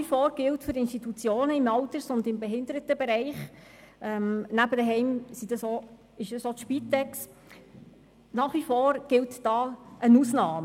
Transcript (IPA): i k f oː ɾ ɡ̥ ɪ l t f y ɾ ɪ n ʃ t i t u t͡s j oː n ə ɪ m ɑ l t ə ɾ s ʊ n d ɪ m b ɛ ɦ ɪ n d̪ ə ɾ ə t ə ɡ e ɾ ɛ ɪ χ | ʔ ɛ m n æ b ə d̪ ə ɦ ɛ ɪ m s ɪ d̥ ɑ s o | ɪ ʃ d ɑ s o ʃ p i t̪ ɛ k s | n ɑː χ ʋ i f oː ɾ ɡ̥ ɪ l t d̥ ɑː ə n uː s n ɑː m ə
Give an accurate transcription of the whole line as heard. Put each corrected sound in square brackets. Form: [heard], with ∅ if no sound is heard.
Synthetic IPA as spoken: i [∅] f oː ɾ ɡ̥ ɪ l t f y ɾ ɪ n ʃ t i t u t͡s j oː n ə ɪ m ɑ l t ə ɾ s ʊ n d ɪ m b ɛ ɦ ɪ n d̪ ə ɾ ə t ə [b] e ɾ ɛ ɪ χ | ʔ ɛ m n æ b ə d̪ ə ɦ ɛ ɪ m s [i] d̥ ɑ s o | ɪ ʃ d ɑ s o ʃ p i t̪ ɛ k s | n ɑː χ ʋ i f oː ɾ ɡ̥ ɪ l t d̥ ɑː ə n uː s n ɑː m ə